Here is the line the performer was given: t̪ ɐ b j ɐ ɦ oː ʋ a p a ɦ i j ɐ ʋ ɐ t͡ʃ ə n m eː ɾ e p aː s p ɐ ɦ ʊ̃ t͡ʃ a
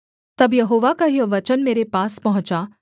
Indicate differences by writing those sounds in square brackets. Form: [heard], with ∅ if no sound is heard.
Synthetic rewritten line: t̪ ɐ b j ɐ ɦ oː ʋ a [k] a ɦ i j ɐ ʋ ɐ t͡ʃ ə n m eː ɾ e p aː s p ɐ ɦ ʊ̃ t͡ʃ a